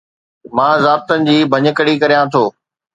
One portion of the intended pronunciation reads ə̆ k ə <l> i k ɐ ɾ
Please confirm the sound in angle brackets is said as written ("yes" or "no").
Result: no